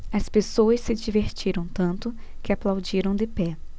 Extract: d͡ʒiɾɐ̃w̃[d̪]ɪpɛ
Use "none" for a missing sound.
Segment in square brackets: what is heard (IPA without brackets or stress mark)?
d̪